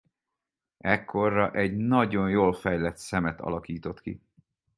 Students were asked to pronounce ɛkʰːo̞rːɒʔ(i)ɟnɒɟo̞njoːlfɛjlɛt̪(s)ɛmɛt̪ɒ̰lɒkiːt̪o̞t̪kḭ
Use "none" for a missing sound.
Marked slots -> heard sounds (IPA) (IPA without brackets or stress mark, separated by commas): ɛ, s